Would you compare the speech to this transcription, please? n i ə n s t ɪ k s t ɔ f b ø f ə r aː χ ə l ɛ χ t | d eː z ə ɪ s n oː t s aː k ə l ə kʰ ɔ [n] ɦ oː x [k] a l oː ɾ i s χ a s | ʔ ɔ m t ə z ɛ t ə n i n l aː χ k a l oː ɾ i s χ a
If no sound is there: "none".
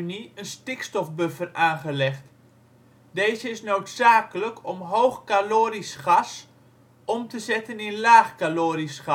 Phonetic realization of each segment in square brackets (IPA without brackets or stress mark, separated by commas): m, k